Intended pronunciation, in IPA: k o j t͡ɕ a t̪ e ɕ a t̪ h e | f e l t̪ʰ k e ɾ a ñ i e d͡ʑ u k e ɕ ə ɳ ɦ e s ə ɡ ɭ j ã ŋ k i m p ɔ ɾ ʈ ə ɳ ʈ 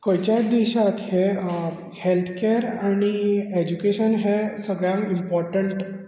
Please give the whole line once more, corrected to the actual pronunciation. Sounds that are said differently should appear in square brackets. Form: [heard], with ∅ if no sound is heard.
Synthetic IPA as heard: k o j t͡ɕ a [d̪] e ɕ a t̪ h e | [h] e l t̪ʰ k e ɾ a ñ i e d͡ʑ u k e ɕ ə [n] ɦ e s ə ɡ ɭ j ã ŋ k i m p ɔ ɾ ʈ ə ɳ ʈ